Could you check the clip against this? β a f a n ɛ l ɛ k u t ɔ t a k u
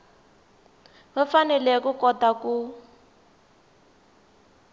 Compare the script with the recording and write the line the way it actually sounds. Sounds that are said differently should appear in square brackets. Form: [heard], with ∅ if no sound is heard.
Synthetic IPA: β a f a n ɛ l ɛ k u [k] ɔ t a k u